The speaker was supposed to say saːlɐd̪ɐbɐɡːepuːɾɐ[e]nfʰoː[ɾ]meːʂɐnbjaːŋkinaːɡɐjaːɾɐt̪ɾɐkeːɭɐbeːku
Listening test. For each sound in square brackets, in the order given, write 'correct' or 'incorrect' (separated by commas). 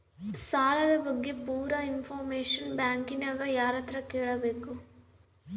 incorrect, correct